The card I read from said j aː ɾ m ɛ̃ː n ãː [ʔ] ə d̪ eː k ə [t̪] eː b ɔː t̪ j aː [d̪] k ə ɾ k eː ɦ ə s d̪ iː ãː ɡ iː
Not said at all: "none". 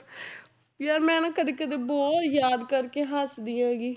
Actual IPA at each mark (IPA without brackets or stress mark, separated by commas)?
k, d̪, d̪